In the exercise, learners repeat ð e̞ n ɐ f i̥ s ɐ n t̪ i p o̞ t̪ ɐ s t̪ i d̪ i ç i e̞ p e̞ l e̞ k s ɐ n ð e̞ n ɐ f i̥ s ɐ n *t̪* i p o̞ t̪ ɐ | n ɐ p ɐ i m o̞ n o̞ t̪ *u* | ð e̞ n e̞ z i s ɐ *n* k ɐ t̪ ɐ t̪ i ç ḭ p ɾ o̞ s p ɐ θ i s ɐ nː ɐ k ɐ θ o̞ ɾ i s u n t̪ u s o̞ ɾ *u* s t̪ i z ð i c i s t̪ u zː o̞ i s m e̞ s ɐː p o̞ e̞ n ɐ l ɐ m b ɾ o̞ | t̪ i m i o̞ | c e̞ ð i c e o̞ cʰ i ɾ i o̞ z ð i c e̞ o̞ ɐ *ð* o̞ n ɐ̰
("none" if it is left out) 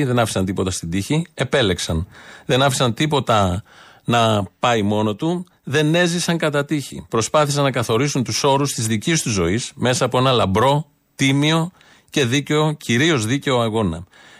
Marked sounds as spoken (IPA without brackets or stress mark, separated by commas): t̪, u, ŋ, u, ɣ